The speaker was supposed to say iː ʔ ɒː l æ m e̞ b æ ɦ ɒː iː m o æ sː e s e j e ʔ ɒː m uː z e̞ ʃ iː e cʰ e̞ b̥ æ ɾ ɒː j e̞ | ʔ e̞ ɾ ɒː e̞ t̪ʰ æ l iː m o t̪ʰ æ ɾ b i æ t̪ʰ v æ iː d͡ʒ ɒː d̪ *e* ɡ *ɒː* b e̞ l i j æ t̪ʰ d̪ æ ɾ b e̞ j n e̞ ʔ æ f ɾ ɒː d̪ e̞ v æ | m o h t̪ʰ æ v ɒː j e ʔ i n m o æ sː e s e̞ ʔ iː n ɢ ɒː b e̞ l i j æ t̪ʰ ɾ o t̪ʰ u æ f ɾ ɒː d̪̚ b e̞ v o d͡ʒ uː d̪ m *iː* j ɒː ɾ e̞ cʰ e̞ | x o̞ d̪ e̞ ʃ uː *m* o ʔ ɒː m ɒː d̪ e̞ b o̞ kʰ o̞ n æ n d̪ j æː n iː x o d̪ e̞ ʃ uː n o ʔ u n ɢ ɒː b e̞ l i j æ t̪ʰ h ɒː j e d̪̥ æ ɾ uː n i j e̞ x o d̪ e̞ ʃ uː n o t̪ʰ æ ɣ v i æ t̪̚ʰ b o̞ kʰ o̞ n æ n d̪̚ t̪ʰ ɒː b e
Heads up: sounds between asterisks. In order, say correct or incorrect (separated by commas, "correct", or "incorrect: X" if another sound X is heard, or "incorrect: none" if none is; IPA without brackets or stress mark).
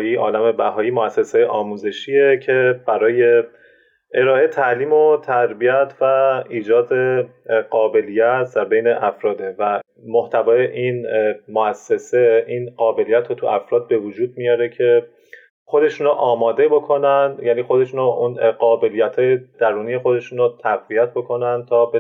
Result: correct, correct, incorrect: i, incorrect: n